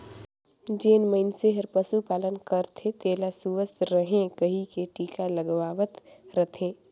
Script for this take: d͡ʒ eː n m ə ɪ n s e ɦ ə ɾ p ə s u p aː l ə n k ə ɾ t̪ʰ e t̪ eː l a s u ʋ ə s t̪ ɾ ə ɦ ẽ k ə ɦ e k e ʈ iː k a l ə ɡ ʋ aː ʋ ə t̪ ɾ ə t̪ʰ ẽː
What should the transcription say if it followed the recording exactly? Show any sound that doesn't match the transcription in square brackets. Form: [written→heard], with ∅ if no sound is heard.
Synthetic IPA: d͡ʒ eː n m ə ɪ n s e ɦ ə ɾ p ə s u p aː l ə n k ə ɾ t̪ʰ e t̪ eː l a s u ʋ ə s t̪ ɾ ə ɦ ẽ k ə ɦ [e→i] k e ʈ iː k a l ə ɡ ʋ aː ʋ ə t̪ ɾ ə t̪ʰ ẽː